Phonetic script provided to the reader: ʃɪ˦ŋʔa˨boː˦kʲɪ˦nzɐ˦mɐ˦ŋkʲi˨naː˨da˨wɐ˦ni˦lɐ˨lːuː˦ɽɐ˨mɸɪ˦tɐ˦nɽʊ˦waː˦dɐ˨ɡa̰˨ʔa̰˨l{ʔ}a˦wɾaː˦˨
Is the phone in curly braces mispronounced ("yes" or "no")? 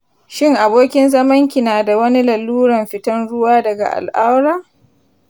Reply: no